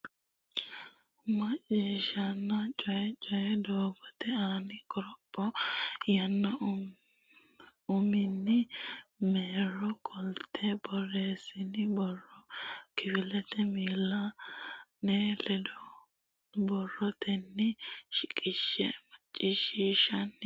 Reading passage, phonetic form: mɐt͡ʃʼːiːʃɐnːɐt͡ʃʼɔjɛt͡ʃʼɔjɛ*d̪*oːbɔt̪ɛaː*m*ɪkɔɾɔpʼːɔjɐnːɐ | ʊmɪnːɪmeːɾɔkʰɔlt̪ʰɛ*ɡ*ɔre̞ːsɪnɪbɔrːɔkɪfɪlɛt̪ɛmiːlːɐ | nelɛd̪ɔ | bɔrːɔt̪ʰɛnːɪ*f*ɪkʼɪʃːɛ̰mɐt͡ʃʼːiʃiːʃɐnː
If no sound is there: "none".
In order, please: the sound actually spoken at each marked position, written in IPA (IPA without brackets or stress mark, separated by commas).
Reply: d̪, n, b, ʃ